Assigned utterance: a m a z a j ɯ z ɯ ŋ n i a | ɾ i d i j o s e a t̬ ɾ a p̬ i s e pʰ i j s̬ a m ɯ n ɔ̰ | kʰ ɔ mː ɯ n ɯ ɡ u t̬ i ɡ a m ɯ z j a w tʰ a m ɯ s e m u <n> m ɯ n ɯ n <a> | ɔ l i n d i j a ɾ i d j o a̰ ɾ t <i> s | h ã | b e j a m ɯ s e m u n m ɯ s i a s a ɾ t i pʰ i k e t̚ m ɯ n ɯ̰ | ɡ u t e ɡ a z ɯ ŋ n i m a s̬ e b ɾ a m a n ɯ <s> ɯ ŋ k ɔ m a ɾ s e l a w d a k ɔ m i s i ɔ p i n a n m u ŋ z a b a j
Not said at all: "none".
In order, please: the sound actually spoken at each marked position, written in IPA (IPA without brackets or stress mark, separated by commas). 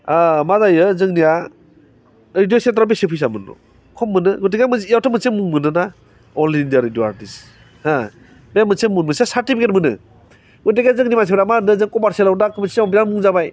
ŋ, a, i, z